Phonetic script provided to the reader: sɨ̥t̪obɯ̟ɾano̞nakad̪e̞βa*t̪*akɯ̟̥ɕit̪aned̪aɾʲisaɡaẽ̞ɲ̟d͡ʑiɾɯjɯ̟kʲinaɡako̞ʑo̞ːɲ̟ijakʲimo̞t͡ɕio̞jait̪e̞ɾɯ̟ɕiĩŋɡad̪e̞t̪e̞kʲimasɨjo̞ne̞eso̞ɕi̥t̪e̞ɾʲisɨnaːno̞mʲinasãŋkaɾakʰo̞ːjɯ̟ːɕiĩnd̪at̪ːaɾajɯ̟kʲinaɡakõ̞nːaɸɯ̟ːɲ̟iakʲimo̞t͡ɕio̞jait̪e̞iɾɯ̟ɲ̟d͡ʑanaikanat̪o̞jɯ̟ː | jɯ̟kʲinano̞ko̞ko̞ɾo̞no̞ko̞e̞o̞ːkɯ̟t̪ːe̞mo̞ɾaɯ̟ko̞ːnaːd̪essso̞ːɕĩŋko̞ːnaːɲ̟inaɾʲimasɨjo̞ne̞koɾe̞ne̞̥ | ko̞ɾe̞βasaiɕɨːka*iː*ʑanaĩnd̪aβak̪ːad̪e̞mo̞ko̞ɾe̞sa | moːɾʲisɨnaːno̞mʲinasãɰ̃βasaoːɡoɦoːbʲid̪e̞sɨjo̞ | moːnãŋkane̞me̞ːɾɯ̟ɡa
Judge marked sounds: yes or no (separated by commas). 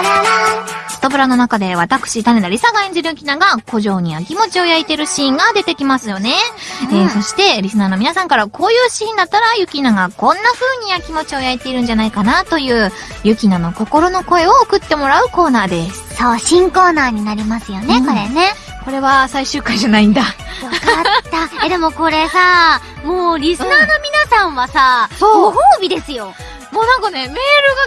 yes, no